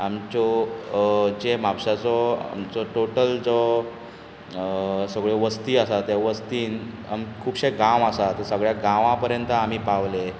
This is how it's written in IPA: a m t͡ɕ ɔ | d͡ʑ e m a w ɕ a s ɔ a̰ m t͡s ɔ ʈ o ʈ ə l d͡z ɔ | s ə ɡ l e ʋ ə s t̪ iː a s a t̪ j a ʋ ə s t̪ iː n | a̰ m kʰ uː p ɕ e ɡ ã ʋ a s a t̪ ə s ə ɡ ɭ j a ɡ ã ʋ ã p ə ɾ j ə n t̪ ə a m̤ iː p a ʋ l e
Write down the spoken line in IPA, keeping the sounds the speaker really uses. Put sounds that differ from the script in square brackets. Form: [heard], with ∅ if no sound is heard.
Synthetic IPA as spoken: a m t͡ɕ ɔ | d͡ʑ e m a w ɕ a [t͡s] ɔ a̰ m t͡s ɔ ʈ o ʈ ə l d͡z ɔ | s ə ɡ [ɭ] e ʋ ə s t̪ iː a s a t̪ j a ʋ ə s t̪ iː n | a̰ m kʰ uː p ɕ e ɡ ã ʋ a s a t̪ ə s ə ɡ ɭ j a ɡ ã ʋ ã p ə ɾ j ə n t̪ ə a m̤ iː p a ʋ l e